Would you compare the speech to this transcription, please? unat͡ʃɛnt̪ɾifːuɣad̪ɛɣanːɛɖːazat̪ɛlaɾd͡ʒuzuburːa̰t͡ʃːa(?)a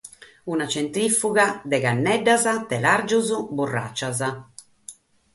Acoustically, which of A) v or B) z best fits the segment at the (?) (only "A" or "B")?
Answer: B